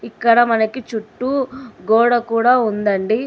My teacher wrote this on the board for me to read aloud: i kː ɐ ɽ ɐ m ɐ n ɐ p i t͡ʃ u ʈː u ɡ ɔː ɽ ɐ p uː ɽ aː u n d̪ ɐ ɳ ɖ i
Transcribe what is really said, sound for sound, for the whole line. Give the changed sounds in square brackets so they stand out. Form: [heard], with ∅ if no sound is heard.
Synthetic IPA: i kː ɐ ɽ ɐ m ɐ n ɐ [k] i t͡ʃ u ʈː u ɡ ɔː ɽ ɐ [k] uː ɽ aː u n d̪ ɐ ɳ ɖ i